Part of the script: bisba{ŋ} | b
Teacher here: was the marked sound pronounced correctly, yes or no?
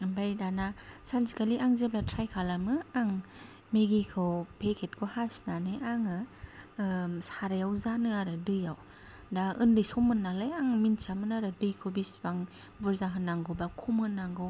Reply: yes